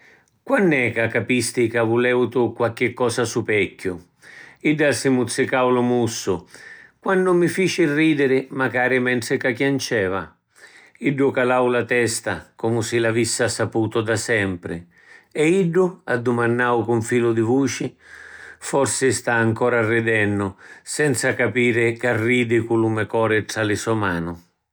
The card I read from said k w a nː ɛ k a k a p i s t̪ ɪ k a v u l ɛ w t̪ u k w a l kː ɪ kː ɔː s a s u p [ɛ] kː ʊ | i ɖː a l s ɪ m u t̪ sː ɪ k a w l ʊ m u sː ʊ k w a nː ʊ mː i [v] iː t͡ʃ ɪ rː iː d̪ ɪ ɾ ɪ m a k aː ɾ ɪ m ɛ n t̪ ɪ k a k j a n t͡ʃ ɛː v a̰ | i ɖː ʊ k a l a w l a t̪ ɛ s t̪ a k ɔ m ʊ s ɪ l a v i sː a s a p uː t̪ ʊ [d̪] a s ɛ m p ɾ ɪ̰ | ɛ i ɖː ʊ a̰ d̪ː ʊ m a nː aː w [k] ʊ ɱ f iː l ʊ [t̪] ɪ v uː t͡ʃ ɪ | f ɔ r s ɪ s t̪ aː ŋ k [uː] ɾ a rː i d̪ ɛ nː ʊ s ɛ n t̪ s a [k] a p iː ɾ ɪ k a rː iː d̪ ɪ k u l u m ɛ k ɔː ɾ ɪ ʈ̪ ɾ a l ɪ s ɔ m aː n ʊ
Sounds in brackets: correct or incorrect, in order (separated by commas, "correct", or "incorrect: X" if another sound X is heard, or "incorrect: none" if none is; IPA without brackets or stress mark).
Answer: correct, incorrect: f, correct, correct, incorrect: d̪, incorrect: ɔː, correct